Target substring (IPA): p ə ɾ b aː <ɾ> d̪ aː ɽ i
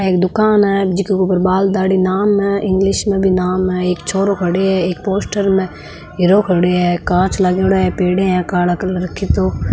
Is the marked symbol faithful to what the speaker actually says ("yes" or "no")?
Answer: no